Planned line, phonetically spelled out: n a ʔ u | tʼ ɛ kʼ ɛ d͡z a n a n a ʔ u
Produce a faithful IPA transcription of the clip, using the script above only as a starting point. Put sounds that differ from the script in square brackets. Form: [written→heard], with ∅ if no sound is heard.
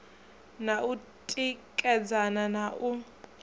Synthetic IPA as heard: n a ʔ u | tʼ [ɛ→i] kʼ ɛ d͡z a n a n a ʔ u

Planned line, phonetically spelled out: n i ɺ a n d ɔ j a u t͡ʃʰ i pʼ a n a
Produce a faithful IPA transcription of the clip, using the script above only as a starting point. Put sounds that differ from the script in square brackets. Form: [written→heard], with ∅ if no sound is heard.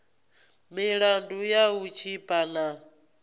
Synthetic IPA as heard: [n→m] i ɺ a n d [ɔ→u] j a u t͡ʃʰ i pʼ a n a

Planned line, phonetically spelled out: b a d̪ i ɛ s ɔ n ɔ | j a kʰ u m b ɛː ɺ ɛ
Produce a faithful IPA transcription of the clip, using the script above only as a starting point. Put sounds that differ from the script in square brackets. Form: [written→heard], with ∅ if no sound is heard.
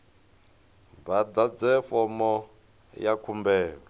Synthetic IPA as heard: b a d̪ [i→a] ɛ [s→f] ɔ [n→m] ɔ | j a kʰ u m b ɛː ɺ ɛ

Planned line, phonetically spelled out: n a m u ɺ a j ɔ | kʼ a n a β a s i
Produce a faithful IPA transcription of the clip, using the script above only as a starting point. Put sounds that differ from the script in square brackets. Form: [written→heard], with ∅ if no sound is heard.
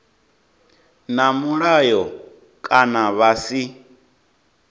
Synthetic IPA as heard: n a m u ɺ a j ɔ | kʼ a n a β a s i

